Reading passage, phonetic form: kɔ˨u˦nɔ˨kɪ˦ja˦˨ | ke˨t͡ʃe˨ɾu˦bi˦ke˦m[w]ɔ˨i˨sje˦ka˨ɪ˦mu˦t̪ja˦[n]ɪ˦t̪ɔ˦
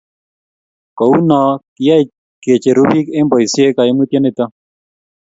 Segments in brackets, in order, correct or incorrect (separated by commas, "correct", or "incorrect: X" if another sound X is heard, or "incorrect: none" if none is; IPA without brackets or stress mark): incorrect: b, correct